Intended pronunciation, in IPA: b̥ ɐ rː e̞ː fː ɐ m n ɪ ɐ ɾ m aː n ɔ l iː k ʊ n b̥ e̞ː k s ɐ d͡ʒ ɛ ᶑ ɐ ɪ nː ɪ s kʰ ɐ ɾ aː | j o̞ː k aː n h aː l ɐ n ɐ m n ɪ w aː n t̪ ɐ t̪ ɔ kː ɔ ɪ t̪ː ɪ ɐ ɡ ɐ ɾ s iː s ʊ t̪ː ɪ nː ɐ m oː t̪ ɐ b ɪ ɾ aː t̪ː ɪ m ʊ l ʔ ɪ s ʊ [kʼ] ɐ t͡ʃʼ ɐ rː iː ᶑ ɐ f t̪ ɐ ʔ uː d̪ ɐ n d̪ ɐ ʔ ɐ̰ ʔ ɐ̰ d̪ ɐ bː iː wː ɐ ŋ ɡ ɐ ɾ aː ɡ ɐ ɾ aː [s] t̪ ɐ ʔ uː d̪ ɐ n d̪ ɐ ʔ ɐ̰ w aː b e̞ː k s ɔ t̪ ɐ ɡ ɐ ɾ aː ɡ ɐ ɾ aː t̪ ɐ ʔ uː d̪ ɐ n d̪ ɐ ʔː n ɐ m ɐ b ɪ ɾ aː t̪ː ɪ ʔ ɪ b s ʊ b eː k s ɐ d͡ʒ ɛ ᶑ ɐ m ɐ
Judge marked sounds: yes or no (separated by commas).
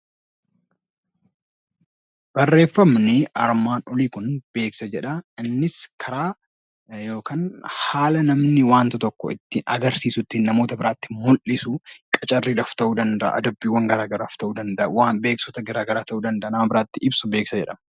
yes, no